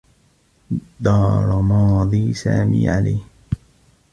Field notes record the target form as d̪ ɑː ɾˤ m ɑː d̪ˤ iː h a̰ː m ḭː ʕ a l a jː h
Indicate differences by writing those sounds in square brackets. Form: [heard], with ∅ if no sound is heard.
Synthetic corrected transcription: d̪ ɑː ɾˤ m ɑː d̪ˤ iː [s] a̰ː m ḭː ʕ a l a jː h